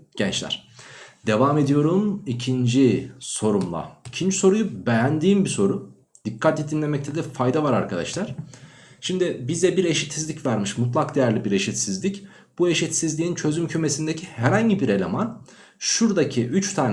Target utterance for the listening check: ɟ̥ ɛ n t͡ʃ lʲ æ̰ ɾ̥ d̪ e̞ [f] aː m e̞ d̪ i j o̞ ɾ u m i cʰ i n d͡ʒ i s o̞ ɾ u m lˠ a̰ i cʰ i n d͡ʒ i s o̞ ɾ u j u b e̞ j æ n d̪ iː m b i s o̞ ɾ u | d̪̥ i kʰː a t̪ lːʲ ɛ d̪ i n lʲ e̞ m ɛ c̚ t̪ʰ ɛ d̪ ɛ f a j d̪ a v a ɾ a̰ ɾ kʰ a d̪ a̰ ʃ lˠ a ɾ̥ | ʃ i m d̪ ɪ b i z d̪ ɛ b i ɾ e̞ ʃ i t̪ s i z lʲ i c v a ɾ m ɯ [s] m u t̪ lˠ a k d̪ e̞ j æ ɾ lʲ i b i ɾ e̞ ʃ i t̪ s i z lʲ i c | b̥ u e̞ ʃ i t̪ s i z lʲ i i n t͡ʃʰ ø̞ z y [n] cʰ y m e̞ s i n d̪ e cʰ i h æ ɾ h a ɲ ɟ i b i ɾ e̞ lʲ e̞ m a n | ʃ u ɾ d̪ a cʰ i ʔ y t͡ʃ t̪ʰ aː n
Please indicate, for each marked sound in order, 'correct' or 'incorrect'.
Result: incorrect, incorrect, incorrect

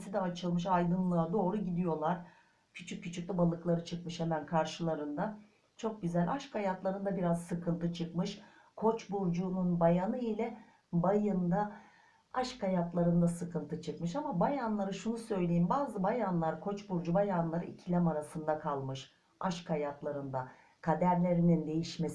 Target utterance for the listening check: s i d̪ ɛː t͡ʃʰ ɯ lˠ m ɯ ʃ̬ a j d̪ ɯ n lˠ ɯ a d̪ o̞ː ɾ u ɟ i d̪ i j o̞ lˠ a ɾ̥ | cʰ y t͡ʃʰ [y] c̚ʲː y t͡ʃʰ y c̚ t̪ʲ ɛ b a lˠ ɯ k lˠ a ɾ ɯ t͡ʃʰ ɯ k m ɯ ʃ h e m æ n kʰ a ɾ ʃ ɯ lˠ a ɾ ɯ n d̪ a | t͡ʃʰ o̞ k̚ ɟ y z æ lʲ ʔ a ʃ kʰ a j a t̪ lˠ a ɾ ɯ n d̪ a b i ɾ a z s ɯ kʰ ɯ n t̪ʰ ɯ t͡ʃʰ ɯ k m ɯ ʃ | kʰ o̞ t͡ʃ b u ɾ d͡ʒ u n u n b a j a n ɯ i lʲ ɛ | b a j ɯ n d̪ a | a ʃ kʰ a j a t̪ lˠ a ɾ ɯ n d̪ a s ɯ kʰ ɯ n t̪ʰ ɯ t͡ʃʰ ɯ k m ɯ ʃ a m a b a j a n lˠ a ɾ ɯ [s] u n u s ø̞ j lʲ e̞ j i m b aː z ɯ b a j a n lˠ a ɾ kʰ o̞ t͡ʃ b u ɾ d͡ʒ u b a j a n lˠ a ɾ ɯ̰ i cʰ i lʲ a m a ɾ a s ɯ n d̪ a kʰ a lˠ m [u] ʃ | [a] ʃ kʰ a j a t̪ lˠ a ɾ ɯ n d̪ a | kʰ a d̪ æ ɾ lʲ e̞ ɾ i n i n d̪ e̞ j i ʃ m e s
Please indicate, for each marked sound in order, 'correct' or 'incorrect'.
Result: correct, incorrect, incorrect, correct

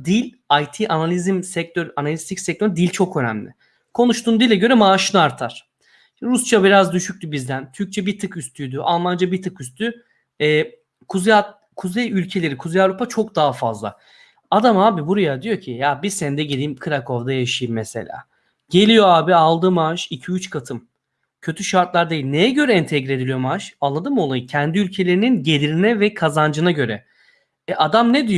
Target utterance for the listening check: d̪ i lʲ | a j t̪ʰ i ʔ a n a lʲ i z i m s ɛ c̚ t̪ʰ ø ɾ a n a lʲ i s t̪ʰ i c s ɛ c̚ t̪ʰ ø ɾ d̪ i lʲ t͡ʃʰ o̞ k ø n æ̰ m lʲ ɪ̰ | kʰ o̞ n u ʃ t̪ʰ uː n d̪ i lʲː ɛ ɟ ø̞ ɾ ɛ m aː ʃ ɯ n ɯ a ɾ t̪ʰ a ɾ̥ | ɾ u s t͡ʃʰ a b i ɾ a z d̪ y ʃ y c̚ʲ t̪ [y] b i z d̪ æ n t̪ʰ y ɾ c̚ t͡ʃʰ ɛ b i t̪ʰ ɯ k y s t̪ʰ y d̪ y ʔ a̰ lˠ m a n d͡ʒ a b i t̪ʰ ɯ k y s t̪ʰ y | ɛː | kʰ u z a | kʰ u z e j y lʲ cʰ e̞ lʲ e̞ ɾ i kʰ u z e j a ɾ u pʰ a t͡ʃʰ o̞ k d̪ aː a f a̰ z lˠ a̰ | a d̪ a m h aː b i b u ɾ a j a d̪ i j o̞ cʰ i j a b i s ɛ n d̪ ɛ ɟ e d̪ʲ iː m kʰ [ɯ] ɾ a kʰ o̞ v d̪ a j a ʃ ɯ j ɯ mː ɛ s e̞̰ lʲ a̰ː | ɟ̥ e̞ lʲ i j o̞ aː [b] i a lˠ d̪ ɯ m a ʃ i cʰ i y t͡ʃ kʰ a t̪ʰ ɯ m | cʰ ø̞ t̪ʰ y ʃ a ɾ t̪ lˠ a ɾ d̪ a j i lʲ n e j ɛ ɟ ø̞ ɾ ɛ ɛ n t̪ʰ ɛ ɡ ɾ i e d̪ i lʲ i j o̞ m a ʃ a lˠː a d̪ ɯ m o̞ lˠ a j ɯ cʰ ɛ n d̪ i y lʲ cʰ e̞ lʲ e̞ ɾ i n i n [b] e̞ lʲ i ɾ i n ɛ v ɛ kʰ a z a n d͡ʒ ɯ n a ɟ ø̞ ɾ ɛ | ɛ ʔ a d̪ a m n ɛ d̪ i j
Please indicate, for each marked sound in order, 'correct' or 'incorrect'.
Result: correct, correct, correct, incorrect

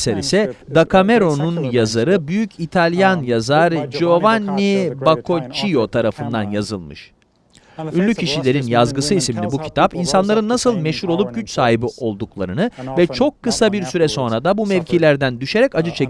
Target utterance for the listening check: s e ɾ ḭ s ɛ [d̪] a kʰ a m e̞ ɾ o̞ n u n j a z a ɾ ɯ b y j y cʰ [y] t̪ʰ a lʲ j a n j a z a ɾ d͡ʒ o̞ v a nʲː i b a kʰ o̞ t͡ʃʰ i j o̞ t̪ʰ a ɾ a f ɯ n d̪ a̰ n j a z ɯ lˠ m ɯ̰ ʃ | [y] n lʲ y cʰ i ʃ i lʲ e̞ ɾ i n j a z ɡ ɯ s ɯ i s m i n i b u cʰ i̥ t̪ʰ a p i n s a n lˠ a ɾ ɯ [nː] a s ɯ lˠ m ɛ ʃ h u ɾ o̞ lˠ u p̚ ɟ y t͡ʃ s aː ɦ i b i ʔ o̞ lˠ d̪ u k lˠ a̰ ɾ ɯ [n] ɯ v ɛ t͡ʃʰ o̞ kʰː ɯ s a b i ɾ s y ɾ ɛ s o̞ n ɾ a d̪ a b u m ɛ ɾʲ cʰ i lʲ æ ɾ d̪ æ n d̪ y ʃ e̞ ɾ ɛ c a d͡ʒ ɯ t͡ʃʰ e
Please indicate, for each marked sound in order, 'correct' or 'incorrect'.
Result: correct, incorrect, correct, correct, correct

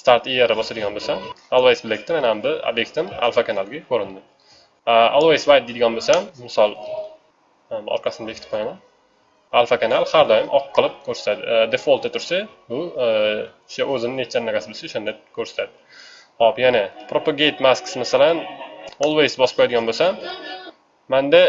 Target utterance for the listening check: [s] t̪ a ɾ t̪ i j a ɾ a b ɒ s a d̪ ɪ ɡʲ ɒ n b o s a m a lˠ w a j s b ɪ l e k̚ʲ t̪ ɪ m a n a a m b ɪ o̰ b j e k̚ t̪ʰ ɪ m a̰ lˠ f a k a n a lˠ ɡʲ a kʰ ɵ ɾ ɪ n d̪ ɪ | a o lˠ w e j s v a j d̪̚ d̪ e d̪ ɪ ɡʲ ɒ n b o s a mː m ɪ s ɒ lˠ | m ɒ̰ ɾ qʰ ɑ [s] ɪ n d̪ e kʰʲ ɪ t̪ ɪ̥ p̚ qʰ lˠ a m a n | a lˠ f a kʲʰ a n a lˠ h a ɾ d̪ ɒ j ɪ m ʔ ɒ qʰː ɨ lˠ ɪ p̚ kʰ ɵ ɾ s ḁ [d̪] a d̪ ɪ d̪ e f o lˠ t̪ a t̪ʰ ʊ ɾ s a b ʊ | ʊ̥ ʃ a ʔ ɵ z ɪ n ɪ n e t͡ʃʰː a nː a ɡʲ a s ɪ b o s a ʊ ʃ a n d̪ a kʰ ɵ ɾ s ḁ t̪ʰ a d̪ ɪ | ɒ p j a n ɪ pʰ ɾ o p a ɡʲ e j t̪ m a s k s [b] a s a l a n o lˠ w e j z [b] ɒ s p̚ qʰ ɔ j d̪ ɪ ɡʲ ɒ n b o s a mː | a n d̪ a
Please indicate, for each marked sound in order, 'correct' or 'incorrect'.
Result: correct, correct, incorrect, incorrect, correct

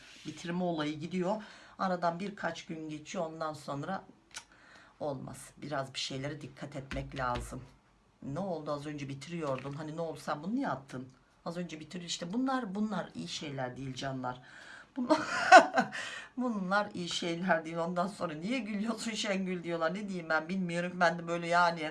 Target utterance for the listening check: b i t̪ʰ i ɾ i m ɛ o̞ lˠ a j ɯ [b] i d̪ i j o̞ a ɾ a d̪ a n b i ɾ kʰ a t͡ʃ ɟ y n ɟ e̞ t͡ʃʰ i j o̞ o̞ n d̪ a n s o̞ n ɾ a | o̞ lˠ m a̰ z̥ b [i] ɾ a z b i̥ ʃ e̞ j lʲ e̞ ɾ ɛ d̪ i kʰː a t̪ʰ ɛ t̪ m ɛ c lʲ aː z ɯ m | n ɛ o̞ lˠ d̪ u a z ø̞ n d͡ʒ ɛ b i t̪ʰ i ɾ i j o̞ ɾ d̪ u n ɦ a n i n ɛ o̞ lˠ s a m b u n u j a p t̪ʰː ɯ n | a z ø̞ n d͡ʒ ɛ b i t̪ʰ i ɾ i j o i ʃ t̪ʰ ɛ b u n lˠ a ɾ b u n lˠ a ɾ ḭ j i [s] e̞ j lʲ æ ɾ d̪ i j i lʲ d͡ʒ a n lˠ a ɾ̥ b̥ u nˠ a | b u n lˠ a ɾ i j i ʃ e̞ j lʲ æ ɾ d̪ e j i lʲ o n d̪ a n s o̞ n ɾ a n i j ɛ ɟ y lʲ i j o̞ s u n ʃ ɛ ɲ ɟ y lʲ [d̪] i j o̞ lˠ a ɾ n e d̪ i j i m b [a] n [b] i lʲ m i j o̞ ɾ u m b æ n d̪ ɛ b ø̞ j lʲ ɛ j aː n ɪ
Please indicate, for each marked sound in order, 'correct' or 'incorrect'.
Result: incorrect, correct, incorrect, correct, incorrect, correct

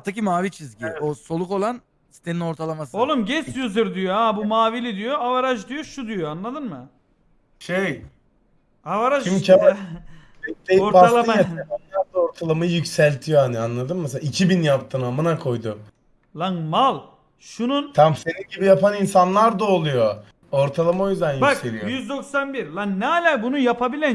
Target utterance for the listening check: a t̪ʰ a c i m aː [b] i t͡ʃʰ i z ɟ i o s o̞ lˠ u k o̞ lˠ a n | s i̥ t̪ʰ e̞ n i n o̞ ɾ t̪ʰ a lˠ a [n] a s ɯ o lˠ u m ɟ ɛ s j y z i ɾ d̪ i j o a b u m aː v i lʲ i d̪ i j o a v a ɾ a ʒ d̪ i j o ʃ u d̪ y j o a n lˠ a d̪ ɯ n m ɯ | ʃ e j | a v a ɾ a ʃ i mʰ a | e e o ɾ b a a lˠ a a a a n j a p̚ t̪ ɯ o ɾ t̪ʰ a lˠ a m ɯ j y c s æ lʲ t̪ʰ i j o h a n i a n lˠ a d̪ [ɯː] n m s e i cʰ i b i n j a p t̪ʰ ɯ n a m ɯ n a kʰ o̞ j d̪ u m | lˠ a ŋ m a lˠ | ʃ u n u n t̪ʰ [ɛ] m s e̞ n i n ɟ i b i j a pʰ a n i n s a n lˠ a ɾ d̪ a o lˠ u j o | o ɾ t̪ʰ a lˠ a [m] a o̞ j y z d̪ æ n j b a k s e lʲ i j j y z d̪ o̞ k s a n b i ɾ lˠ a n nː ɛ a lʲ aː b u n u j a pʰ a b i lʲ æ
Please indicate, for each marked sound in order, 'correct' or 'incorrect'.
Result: incorrect, incorrect, incorrect, incorrect, correct

